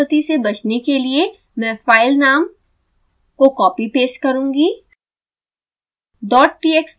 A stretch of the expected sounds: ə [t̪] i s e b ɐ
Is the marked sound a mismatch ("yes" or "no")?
no